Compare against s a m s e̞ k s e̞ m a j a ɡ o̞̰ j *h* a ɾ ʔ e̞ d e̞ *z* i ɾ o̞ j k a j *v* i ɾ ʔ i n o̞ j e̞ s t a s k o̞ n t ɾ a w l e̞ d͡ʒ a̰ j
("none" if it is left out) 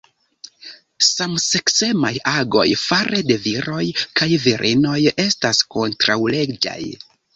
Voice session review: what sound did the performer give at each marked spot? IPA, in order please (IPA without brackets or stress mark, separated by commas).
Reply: f, v, v